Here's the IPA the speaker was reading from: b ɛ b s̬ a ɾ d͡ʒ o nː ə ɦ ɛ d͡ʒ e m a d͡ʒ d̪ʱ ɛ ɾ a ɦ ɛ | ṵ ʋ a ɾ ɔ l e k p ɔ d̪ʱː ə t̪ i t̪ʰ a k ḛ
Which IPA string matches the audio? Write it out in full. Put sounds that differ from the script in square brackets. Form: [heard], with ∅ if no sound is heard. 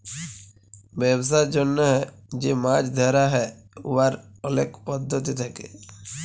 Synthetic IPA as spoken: b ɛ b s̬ a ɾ d͡ʒ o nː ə ɦ ɛ d͡ʒ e m a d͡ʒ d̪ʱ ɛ ɾ a ɦ ɛ | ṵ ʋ a ɾ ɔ l e k p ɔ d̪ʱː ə t̪ i t̪ʰ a k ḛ